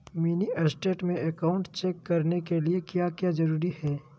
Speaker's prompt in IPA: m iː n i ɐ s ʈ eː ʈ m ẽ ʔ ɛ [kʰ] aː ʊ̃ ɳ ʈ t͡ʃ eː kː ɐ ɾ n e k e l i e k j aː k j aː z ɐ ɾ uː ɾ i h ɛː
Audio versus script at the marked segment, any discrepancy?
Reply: yes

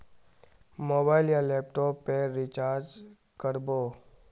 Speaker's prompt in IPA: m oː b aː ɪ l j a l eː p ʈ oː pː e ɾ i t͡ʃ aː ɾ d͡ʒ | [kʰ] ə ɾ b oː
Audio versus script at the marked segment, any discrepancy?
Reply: yes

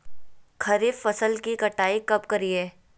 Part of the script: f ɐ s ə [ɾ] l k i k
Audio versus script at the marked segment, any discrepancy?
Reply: yes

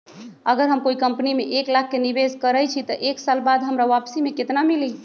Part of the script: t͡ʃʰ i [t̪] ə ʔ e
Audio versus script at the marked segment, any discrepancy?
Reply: no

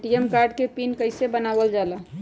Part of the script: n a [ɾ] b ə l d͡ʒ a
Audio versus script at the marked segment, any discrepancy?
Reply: yes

